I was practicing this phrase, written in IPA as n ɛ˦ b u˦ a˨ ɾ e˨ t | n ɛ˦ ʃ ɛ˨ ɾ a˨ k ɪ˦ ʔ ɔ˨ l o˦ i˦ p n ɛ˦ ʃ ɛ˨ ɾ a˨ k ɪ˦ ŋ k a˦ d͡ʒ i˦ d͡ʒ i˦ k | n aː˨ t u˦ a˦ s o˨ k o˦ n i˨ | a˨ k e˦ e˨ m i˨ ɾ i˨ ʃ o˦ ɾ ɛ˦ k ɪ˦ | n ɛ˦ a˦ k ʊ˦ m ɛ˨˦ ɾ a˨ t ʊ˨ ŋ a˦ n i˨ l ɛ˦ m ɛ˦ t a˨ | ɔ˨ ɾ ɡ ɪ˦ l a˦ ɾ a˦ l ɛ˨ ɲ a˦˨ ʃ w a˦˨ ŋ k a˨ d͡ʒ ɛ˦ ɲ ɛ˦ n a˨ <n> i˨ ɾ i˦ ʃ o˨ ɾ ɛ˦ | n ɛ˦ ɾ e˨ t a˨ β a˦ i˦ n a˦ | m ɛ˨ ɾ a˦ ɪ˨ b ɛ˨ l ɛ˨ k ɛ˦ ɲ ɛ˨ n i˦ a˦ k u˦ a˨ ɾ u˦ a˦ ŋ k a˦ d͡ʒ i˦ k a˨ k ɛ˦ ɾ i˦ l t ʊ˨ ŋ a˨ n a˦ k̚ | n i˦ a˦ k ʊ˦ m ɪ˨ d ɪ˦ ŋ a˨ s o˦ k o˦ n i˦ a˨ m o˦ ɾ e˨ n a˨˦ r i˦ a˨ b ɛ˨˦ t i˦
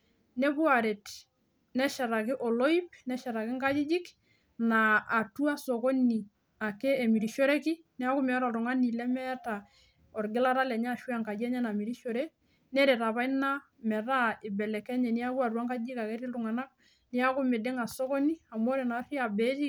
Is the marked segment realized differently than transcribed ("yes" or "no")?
yes